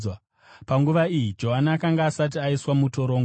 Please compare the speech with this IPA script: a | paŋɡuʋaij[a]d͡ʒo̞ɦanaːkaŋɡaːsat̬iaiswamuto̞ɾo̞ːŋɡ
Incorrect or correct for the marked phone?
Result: incorrect: i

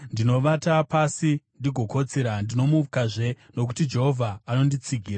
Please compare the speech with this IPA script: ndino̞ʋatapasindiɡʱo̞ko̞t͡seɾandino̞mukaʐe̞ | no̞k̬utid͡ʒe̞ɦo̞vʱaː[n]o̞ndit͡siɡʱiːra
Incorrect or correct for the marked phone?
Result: correct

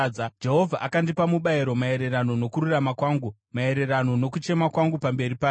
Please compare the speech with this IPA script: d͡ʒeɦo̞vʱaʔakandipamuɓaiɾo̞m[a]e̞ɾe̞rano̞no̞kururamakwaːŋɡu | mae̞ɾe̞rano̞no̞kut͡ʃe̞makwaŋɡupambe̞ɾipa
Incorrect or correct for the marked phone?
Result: correct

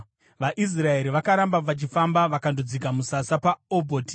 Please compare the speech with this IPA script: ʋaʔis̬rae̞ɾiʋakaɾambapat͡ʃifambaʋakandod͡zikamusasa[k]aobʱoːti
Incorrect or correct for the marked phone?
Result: incorrect: p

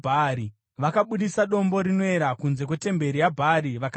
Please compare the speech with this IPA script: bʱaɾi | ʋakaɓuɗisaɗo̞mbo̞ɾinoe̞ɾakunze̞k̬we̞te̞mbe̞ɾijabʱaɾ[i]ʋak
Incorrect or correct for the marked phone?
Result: correct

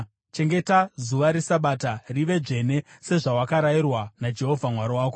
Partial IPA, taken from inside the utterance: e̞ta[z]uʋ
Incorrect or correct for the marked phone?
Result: correct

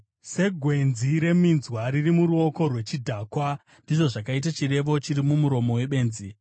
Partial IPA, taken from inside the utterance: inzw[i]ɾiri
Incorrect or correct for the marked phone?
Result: incorrect: a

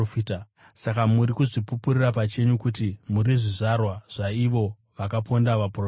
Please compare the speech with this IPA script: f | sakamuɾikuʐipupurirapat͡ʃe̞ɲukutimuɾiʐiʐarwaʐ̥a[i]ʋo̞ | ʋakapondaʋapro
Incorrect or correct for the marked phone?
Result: correct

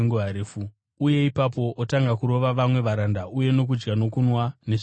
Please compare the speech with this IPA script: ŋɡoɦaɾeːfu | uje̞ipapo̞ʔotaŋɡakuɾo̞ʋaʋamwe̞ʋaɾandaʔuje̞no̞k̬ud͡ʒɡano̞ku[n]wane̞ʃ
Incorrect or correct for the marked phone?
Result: correct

